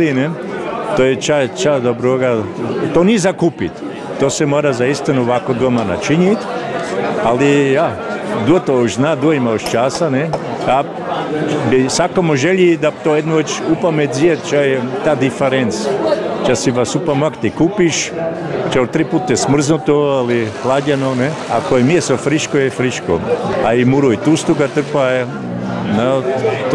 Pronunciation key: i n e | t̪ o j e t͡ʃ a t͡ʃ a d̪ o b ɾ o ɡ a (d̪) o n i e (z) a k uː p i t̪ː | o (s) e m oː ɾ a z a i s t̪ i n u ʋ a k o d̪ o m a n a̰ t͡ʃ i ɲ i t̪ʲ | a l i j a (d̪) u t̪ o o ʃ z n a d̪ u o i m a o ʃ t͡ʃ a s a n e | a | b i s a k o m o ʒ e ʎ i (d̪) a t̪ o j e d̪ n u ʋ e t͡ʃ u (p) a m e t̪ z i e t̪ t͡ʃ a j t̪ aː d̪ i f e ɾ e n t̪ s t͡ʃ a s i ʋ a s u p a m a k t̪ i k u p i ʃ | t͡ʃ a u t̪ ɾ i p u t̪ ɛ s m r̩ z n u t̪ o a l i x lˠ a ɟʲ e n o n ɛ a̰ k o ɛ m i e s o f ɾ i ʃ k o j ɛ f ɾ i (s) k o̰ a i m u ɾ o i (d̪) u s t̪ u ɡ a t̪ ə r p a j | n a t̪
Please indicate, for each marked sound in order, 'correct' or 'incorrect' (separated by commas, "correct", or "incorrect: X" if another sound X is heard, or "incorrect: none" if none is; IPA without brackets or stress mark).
incorrect: t̪, correct, correct, correct, correct, correct, incorrect: ʃ, incorrect: t̪